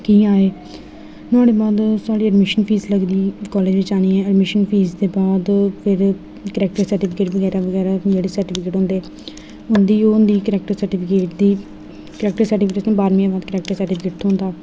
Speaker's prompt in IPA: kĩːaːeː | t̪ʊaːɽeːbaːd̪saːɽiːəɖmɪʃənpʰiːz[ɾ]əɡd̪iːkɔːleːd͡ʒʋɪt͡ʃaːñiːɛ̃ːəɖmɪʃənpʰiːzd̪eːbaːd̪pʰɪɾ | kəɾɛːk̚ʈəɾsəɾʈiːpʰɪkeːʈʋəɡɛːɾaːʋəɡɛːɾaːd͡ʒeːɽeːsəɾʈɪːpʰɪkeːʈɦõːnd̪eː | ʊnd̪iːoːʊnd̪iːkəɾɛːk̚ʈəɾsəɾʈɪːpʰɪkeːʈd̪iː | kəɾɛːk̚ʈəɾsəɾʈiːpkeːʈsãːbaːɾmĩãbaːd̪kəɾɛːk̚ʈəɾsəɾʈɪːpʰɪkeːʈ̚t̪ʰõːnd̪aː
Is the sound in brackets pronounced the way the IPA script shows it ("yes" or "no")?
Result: no